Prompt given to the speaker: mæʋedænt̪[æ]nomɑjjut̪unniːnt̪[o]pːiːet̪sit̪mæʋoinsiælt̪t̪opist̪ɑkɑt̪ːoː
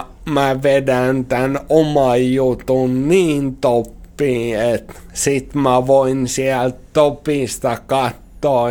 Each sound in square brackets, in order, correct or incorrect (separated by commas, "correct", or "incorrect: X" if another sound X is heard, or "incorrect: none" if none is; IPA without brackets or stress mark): correct, correct